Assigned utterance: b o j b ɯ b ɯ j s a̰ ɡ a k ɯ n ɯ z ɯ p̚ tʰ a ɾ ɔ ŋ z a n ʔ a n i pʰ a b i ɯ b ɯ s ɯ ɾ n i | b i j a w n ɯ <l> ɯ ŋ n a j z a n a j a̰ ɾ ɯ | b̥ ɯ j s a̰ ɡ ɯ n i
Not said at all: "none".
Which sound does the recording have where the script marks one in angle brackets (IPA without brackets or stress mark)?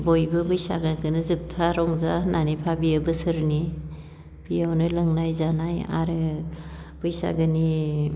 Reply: l